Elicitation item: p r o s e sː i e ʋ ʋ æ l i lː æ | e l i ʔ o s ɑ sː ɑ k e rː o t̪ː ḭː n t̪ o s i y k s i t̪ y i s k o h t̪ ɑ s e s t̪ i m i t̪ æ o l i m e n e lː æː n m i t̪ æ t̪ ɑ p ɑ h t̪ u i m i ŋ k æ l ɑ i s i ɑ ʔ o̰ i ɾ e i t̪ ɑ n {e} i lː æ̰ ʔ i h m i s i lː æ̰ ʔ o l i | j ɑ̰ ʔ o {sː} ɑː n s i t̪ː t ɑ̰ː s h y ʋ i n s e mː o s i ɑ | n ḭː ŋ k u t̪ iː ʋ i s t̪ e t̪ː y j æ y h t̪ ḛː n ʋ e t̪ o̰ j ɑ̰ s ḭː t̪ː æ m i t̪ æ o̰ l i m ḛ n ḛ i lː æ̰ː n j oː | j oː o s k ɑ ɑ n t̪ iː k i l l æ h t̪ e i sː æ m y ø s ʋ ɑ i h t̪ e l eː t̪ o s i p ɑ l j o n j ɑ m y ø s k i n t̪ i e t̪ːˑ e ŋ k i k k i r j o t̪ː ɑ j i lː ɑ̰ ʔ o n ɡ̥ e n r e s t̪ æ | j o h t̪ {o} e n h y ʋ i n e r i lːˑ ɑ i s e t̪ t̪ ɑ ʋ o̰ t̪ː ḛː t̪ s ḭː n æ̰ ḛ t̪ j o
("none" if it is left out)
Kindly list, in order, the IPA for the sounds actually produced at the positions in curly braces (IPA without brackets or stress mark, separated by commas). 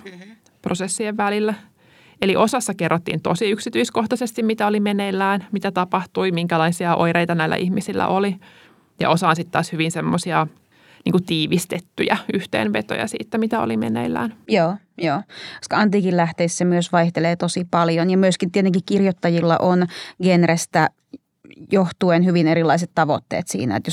æ, s, u